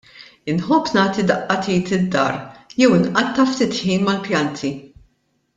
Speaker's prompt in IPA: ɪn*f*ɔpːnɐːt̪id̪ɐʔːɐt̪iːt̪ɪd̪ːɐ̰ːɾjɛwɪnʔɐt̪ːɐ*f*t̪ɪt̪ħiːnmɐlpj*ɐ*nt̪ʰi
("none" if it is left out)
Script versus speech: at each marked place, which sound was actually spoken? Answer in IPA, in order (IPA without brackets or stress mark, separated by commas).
ħ, f, ɐ